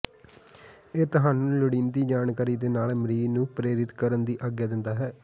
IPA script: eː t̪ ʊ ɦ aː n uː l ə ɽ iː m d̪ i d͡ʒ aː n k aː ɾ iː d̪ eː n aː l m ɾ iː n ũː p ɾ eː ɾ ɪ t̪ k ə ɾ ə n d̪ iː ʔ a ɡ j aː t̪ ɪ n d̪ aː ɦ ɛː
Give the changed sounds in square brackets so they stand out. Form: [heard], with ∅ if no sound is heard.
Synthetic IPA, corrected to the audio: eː t̪ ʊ ɦ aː n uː l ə ɽ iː [n] d̪ [iː] d͡ʒ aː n k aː ɾ iː d̪ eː n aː l m ɾ iː n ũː p ɾ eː ɾ ɪ t̪ k ə ɾ ə n d̪ iː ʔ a ɡ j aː [d̪] ɪ n d̪ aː ɦ ɛː

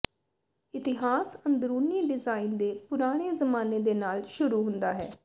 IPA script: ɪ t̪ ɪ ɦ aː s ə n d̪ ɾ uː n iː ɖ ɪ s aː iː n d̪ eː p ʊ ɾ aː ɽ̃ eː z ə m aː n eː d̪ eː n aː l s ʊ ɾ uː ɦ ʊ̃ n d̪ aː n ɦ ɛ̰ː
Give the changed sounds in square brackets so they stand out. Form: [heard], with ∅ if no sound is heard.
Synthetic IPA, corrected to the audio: ɪ t̪ ɪ ɦ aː s ə n d̪ ɾ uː n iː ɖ ɪ [z] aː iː n d̪ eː p ʊ ɾ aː ɽ̃ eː z ə m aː n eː d̪ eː n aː l [ʃ] ʊ ɾ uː ɦ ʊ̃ n d̪ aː [∅] ɦ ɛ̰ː

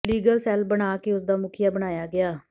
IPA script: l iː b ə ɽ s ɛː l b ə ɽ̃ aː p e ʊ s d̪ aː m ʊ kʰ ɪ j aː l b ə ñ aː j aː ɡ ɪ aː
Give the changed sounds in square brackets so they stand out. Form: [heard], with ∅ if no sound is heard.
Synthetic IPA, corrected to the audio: l iː [ɡ] ə [l] s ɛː l b ə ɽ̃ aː [k] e ʊ s d̪ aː m ʊ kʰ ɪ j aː [∅] b ə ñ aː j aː ɡ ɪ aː

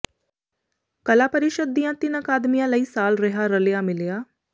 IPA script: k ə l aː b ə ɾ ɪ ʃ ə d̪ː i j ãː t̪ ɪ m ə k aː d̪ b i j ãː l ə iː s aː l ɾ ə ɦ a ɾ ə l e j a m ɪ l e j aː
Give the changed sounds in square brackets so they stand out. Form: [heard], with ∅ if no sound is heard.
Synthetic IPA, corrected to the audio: k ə l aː [p] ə ɾ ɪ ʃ ə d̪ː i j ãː t̪ ɪ [n] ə k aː d̪ [m] i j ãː l ə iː s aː l ɾ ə ɦ a ɾ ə l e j a m ɪ l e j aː

